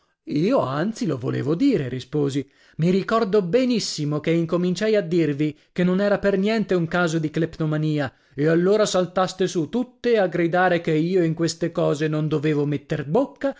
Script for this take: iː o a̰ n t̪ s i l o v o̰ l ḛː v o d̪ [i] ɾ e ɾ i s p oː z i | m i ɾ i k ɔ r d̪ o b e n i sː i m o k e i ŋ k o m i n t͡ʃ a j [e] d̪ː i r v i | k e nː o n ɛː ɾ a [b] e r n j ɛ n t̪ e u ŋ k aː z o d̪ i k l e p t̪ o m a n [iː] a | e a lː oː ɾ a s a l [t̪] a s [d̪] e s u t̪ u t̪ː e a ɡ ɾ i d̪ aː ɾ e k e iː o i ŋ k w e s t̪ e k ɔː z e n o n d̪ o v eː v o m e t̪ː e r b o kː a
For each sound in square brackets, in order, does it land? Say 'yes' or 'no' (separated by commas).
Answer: no, no, no, yes, yes, no